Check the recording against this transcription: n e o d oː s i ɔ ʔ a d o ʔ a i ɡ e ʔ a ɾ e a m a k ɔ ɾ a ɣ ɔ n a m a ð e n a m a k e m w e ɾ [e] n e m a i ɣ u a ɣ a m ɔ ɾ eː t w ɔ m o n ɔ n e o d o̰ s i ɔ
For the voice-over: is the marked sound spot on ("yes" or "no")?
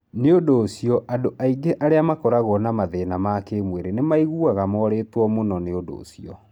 yes